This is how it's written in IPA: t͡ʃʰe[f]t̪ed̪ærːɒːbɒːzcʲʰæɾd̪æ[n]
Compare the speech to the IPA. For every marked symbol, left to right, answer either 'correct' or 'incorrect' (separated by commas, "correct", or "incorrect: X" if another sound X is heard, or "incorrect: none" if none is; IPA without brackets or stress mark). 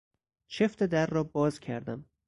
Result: correct, incorrect: m